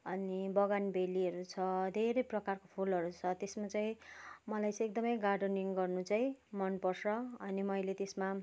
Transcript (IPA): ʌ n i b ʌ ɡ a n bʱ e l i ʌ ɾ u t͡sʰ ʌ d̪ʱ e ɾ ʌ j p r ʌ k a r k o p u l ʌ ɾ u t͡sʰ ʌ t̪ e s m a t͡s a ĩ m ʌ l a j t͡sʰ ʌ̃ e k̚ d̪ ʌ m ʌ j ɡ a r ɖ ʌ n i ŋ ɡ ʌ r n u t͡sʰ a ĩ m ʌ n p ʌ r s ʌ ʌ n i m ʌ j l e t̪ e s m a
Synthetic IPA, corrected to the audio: ʌ n i b ʌ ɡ a n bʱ e l i ʌ ɾ u t͡sʰ ʌ d̪ʱ e ɾ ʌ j p r ʌ k a r k o pʰ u l ʌ ɾ u t͡sʰ ʌ t̪ e s m a t͡s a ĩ m ʌ l a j t͡s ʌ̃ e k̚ d̪ ʌ m ʌ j ɡ a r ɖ ʌ n i ŋ ɡ ʌ r n u t͡s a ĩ m ʌ n p ʌ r s ʌ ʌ n i m ʌ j l e t̪ e s m a